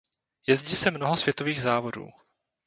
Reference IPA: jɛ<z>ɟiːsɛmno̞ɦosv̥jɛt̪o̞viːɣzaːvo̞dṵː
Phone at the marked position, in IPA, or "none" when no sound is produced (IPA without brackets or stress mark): z